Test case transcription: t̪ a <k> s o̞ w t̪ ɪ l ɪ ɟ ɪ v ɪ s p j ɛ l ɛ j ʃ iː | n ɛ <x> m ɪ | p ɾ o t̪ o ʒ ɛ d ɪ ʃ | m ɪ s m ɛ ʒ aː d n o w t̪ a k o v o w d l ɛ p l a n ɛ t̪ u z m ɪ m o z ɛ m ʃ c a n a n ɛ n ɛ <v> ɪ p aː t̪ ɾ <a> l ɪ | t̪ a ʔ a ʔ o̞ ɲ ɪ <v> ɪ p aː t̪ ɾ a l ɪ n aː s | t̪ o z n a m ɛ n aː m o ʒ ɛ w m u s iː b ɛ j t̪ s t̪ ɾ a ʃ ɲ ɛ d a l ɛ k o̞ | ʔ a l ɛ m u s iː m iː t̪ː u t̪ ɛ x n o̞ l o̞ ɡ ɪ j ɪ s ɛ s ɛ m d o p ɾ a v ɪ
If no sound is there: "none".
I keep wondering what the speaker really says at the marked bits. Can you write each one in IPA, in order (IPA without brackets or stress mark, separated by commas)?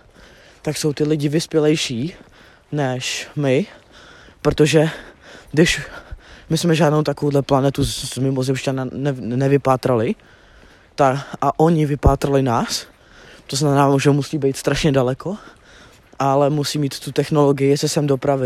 k, ʃ, v, a, v